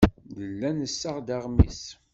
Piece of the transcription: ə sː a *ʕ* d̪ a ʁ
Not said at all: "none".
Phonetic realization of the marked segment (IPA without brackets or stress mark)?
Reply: ʁ